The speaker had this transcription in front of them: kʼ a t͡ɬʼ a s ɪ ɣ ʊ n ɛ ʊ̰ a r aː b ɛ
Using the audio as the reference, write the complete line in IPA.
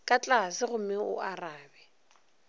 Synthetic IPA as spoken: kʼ a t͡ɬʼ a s ɪ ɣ ʊ m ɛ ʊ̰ a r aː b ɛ